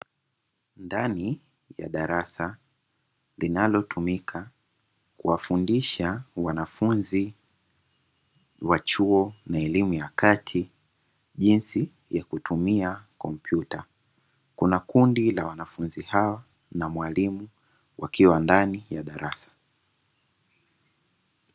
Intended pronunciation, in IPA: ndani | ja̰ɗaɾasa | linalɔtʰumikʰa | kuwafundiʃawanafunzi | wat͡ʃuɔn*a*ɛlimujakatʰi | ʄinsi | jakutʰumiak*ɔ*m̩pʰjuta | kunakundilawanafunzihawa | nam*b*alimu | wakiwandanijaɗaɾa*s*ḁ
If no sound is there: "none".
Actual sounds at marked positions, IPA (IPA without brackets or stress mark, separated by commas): a, ɔ, w, s